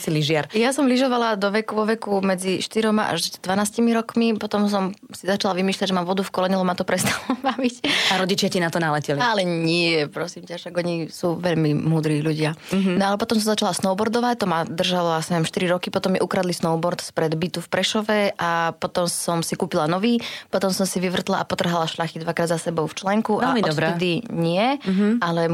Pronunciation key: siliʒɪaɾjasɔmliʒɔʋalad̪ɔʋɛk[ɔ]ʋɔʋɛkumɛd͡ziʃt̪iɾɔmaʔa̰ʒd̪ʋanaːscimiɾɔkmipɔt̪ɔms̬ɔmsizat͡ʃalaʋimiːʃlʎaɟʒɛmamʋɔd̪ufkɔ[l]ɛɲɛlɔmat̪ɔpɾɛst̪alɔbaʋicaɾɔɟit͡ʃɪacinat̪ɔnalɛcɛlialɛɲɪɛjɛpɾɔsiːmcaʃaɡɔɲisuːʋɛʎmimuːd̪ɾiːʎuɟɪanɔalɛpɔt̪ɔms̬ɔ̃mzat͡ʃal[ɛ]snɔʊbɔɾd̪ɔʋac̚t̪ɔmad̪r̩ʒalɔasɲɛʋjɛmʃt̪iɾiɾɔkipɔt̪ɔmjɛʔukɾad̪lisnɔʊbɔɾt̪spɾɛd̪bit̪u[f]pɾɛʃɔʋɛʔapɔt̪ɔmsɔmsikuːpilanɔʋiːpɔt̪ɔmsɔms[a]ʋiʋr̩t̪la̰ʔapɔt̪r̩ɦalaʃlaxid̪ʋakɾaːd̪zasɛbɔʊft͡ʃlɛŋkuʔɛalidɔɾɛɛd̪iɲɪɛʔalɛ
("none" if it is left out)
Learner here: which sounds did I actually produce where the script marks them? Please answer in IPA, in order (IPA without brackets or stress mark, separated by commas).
u, l, a, f, i